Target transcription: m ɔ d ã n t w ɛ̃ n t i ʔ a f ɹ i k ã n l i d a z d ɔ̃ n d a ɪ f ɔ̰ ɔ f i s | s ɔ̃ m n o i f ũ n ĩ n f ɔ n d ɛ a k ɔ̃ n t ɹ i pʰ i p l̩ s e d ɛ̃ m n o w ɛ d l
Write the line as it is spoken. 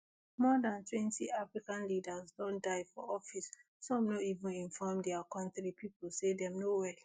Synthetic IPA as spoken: m ɔ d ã n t w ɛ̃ n t i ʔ a f ɹ i k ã n l i d a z d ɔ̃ n d a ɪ f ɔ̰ ɔ f i s | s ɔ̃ m n o i v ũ n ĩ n f ɔ m d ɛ a k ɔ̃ n t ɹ i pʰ i p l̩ s e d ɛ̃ m n o w ɛ l